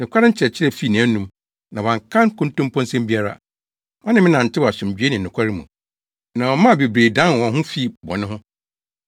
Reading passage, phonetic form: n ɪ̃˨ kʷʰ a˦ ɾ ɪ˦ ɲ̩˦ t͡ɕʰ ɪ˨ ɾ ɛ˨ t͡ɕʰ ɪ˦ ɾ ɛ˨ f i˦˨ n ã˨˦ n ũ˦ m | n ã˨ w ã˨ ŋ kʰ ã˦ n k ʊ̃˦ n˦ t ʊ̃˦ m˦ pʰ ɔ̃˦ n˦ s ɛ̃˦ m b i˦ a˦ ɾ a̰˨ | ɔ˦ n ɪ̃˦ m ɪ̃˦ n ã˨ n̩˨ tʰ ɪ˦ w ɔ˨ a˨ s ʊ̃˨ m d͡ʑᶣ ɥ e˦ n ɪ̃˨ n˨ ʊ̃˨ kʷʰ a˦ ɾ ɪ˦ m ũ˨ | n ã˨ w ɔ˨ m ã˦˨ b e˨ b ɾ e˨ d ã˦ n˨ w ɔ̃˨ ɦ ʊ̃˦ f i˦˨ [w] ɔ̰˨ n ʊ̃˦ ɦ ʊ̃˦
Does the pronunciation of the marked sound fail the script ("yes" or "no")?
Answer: yes